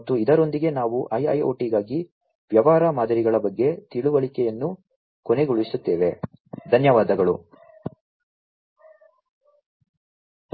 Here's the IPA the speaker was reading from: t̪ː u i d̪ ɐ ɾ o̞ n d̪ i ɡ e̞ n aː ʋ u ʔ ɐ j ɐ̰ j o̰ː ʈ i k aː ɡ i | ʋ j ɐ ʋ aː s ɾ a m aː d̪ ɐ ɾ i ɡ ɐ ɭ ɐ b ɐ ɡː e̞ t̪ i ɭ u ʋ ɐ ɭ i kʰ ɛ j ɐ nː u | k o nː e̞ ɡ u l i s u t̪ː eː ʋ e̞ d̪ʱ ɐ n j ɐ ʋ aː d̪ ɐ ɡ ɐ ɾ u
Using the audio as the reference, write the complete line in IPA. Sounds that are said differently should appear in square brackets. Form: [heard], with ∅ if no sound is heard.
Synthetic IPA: t̪ː u i d̪ ɐ ɾ o̞ n d̪ i ɡ e̞ n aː ʋ u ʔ ɐ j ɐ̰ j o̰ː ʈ i [ɡ] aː ɡ i | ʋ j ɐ ʋ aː [∅] ɾ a m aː d̪ ɐ ɾ i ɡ ɐ ɭ ɐ b ɐ ɡː e̞ t̪ i ɭ u ʋ ɐ ɭ i [k] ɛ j ɐ nː u | k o [n] e̞ ɡ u [ɭ] i s u t̪ː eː ʋ e̞ d̪ʱ ɐ n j ɐ ʋ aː d̪ ɐ ɡ ɐ [ɭ] u